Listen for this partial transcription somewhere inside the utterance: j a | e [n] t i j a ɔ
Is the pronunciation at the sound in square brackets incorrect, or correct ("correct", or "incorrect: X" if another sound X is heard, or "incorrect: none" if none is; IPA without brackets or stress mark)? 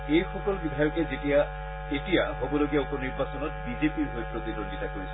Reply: incorrect: none